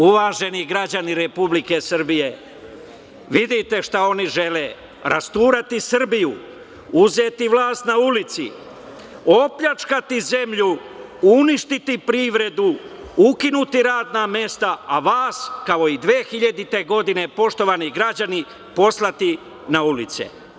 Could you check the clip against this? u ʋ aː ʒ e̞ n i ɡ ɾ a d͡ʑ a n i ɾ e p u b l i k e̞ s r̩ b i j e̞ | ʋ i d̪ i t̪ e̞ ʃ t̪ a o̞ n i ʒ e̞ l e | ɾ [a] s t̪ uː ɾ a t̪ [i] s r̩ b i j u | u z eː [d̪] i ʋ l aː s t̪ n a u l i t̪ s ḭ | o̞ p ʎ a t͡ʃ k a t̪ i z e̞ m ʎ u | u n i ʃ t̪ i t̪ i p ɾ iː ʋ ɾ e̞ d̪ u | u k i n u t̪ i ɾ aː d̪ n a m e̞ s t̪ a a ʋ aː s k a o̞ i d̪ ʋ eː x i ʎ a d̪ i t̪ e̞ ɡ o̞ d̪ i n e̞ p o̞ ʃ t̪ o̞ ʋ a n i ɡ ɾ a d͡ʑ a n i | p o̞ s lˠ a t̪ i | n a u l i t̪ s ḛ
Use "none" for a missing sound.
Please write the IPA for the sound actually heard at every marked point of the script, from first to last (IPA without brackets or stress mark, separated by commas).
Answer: a, i, t̪